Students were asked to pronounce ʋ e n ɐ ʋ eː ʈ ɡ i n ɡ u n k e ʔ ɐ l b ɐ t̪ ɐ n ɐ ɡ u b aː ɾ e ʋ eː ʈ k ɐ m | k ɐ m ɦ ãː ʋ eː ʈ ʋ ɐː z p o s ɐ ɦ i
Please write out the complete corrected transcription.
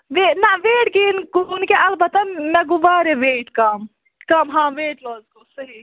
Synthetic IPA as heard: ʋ e n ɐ ʋ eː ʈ ɡ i n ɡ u n k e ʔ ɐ l b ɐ t̪ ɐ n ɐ ɡ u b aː ɾ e ʋ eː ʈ k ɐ m | k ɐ m ɦ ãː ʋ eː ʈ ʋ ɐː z k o s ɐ ɦ i